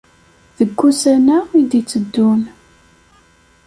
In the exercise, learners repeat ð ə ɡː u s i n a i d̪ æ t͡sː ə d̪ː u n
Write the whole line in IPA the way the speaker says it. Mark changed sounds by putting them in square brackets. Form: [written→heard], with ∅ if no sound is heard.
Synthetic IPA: ð ə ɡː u s [i→æ] n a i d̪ [æ→i] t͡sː ə d̪ː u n